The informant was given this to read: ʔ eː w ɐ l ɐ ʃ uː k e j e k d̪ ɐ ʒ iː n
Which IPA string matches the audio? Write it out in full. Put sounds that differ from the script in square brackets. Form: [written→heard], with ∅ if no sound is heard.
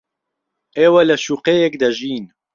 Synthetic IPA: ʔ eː w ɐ l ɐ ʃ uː [k→q] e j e k d̪ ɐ ʒ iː n